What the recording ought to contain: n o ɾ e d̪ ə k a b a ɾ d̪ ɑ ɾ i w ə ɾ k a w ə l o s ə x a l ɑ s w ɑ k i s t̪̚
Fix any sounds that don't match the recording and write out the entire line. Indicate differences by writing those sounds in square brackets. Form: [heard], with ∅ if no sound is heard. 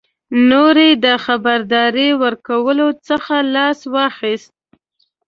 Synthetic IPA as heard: n o ɾ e d̪ ə [x] a b a ɾ d̪ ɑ ɾ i w ə ɾ k a w ə l o [t͡s] ə x a l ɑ s w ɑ [x] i s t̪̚